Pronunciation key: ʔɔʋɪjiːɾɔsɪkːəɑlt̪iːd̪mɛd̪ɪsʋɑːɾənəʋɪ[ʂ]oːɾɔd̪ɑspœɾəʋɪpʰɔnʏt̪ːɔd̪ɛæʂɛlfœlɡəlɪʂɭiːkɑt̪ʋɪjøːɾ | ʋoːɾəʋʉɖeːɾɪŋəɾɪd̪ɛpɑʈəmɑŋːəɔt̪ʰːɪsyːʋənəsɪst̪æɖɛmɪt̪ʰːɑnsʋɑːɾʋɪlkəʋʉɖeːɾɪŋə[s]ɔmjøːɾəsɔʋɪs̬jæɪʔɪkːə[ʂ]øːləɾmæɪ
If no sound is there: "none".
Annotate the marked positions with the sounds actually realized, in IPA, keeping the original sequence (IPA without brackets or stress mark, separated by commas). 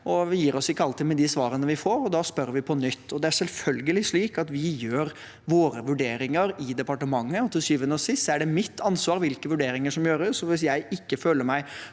f, ʂ, f